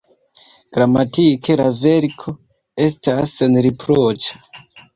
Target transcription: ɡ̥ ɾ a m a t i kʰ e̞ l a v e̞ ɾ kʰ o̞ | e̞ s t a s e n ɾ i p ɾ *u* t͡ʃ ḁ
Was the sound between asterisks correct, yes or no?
no